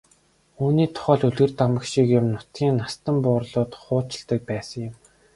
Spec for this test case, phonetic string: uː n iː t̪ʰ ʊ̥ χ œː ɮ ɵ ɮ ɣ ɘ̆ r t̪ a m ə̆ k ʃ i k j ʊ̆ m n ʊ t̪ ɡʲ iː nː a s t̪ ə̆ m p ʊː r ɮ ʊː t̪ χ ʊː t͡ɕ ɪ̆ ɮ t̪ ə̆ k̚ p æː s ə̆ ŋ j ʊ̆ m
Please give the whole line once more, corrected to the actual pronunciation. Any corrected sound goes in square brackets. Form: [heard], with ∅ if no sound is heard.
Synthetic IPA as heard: uː n iː t̪ʰ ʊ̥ χ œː ɮ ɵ ɮ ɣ ɘ̆ r t̪ a m ə̆ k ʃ i k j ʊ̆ m n ʊ t̪ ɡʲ iː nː a s t̪ ə̆ m p ʊː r ɮ ʊː t̪ χ ʊː t͡ɕ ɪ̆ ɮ t̪ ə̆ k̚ p æː s ə̆ ŋ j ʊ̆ m